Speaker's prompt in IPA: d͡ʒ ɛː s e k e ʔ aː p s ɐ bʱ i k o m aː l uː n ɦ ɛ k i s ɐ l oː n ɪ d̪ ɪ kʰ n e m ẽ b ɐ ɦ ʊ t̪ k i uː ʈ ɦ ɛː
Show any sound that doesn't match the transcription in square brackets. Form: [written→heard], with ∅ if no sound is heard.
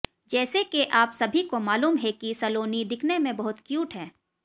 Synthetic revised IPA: d͡ʒ ɛː s e k e ʔ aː p s ɐ bʱ i k o m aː l uː [n→m] ɦ ɛ k i s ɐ l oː n [ɪ→i] d̪ ɪ kʰ n e m ẽ b ɐ ɦ ʊ t̪ k [i→j] uː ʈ ɦ ɛː